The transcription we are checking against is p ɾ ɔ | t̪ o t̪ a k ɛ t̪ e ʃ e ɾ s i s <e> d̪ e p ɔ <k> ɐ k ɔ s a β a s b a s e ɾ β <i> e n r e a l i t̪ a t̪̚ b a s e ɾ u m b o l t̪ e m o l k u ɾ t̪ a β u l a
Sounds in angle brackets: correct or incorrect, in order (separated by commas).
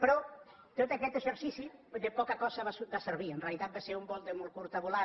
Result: incorrect, correct, correct